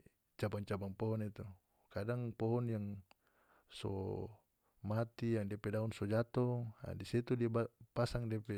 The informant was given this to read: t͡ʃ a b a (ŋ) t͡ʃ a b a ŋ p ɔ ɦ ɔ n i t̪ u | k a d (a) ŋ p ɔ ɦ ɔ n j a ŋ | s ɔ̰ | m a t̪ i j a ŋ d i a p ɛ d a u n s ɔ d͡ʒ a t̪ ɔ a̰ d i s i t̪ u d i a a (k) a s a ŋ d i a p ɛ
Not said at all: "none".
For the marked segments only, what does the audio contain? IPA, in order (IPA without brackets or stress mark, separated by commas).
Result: ŋ, a, p